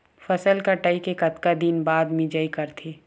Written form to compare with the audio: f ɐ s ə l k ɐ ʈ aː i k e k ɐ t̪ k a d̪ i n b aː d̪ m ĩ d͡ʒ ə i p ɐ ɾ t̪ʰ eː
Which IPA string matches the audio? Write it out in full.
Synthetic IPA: f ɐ s ə l k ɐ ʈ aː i k e k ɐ t̪ k a d̪ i n b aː d̪ m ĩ d͡ʒ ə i k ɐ ɾ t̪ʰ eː